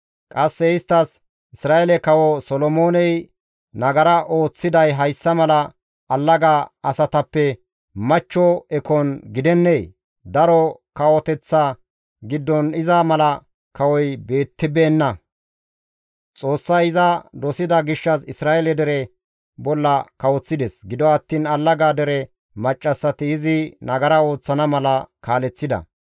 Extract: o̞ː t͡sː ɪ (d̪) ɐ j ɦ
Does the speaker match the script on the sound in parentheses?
yes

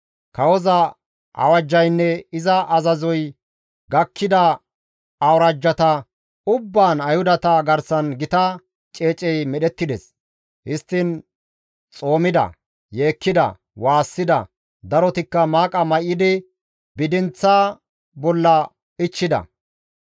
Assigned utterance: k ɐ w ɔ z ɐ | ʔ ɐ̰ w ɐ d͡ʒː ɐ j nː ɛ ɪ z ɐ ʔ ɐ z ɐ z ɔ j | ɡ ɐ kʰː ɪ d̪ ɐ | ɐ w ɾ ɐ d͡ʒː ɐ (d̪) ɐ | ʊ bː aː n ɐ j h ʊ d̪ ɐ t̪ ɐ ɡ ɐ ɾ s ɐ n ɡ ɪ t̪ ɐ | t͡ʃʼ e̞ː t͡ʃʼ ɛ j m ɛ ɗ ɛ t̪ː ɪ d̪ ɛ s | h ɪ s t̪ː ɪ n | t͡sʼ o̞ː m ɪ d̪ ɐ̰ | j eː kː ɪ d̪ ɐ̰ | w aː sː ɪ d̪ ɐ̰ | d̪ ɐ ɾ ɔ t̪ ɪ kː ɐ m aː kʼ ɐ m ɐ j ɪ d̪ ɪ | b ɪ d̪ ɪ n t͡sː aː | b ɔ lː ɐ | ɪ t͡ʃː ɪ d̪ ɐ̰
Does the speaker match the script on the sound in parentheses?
no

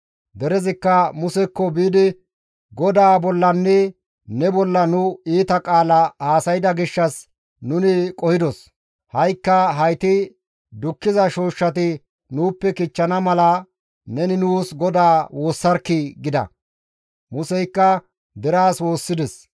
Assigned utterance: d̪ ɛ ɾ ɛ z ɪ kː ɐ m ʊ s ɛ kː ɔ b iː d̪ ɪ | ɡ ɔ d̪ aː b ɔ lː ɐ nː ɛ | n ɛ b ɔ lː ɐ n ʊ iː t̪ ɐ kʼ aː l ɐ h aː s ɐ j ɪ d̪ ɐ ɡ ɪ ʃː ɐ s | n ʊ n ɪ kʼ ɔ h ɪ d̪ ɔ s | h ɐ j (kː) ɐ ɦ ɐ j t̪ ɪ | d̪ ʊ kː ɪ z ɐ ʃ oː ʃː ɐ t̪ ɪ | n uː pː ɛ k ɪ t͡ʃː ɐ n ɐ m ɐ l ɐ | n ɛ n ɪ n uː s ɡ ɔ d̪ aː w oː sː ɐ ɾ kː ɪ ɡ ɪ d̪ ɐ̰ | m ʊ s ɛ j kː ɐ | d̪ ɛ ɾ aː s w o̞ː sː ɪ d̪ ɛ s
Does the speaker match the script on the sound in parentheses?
yes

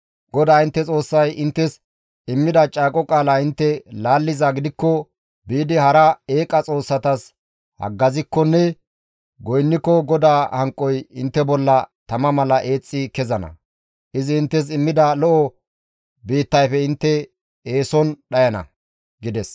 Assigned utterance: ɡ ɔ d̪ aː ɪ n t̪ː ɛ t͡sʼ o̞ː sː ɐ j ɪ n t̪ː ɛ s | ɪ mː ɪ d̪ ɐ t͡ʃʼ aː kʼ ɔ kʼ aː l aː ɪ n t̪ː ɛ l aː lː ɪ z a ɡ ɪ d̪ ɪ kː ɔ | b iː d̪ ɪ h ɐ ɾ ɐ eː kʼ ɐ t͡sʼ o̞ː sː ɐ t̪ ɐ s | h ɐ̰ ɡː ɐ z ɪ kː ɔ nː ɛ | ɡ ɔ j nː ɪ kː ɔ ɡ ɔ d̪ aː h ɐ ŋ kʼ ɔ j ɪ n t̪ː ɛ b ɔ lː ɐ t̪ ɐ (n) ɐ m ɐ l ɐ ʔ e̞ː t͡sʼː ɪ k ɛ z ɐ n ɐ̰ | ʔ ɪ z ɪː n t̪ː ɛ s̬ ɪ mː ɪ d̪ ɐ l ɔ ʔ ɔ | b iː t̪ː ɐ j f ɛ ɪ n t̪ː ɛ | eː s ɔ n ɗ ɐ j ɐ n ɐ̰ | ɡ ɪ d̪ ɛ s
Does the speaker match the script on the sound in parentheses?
no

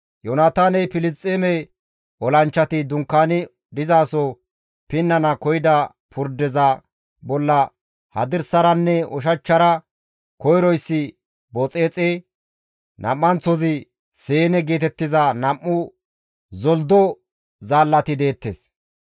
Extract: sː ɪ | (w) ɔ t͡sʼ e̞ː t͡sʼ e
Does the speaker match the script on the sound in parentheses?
no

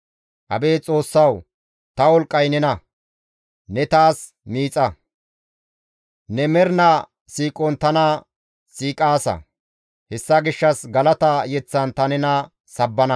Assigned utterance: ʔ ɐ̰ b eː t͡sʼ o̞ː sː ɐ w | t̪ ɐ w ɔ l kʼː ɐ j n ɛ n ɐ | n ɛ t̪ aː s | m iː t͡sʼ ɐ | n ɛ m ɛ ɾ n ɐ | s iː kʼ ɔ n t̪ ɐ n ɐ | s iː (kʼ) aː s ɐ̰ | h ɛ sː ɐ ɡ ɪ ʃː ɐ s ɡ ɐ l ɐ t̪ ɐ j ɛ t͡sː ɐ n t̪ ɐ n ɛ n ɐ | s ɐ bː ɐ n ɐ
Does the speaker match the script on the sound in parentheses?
yes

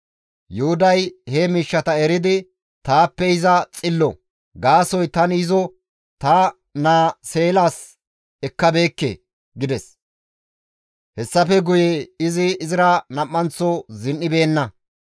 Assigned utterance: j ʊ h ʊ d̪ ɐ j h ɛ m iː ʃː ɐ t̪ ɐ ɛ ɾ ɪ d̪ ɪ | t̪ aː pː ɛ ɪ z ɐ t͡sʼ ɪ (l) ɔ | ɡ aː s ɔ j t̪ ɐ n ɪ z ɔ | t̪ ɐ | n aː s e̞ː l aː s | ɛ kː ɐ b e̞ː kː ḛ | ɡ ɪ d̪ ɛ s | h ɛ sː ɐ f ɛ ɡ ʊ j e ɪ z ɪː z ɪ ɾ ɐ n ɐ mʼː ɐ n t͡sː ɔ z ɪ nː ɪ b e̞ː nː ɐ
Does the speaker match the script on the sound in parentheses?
no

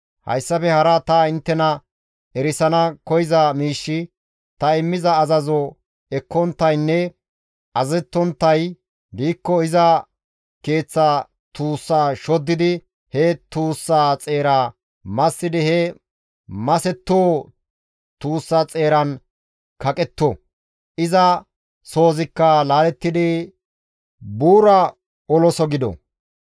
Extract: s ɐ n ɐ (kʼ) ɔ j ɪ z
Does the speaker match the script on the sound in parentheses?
no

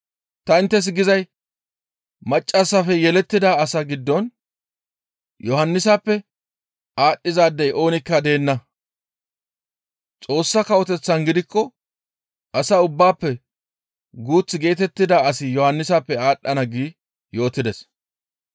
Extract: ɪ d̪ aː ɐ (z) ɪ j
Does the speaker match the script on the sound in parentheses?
no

